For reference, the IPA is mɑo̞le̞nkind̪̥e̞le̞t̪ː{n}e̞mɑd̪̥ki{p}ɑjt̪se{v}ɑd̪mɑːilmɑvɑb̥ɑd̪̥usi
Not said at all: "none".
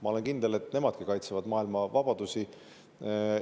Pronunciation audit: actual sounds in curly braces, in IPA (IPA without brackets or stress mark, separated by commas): n, k, v